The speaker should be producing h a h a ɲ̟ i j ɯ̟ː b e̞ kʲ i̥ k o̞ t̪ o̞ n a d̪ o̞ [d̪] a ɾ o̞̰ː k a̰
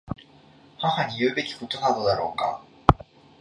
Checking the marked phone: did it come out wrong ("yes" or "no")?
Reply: no